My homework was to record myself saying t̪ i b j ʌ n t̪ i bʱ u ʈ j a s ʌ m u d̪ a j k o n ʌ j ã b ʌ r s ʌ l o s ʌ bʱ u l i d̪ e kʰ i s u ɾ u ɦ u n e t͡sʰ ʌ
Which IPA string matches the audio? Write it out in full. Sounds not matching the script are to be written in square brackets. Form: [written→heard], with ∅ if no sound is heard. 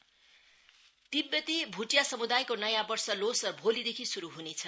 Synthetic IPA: t̪ i b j ʌ [n→∅] t̪ i bʱ u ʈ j a s ʌ m u d̪ a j k o n ʌ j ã b ʌ r s ʌ l o s ʌ bʱ [u→o] l i d̪ e kʰ i s u ɾ u ɦ u n e t͡sʰ ʌ

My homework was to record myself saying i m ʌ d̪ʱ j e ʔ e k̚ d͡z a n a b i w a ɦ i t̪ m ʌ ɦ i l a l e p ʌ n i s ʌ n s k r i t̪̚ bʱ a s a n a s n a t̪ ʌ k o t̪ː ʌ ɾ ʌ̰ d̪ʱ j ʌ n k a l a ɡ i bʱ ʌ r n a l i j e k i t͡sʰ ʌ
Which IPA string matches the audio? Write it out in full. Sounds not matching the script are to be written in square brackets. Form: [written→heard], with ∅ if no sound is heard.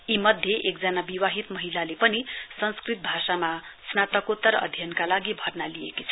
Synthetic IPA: i m ʌ d̪ʱ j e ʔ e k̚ d͡z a n a b i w a ɦ i t̪ m ʌ ɦ i l a l e p ʌ n i s ʌ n s k r i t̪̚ bʱ a s a [n→m] a s n a t̪ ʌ k o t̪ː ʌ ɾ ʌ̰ d̪ʱ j ʌ n k a l a ɡ i bʱ ʌ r n a l i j e k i t͡sʰ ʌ

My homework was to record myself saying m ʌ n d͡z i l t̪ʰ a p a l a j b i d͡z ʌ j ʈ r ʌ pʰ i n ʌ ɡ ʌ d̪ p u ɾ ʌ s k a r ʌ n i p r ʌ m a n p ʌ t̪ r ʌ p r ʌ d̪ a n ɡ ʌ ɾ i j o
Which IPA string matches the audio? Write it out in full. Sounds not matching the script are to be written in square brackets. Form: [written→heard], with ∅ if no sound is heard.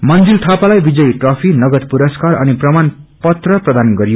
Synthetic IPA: m ʌ n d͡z i l t̪ʰ a p a l a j b i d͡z ʌ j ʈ r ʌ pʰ i n ʌ ɡ ʌ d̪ p u ɾ ʌ s k a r ʌ n i p r ʌ m a n p ʌ t̪ r ʌ p r ʌ d̪ a n ɡ ʌ ɾ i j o

